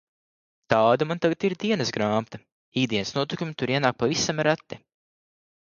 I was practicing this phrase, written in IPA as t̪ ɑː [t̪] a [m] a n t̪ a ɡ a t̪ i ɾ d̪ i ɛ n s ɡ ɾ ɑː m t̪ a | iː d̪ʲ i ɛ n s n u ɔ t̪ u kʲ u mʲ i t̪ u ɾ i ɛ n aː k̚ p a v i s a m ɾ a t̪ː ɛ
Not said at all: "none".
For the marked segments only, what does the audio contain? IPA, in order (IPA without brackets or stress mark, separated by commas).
d̪, m